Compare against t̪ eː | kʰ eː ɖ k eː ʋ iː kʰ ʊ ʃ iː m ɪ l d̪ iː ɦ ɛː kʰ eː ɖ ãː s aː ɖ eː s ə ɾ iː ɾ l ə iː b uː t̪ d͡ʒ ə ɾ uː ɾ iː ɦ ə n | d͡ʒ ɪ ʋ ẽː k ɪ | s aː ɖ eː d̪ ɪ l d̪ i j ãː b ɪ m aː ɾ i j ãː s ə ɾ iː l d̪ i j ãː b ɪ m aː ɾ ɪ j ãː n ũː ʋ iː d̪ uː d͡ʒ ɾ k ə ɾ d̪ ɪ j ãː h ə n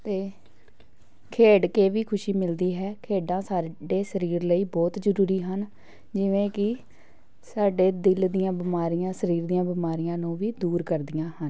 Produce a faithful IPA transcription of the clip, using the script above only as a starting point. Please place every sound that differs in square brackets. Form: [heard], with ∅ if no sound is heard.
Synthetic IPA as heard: t̪ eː | kʰ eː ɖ k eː ʋ iː kʰ ʊ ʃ iː m ɪ l d̪ iː ɦ ɛː kʰ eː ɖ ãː s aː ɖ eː s ə ɾ iː ɾ l ə iː b [ɔː] t̪ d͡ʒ ə ɾ uː ɾ iː ɦ ə n | d͡ʒ ɪ ʋ ẽː k ɪ | s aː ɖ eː d̪ ɪ l d̪ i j ãː b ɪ m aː ɾ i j ãː s ə ɾ iː [ɾ] d̪ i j ãː b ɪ m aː ɾ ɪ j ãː n ũː ʋ iː d̪ uː [∅] ɾ k ə ɾ d̪ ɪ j ãː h ə n